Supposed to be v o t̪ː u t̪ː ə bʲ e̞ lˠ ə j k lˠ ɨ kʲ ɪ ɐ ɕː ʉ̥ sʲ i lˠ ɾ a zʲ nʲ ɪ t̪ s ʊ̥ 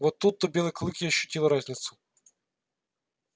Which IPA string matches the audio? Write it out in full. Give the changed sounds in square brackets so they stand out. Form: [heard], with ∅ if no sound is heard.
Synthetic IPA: v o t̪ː u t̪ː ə bʲ e̞ lˠ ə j k lˠ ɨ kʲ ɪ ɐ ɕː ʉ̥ [tʲ] i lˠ ɾ a zʲ nʲ ɪ t̪ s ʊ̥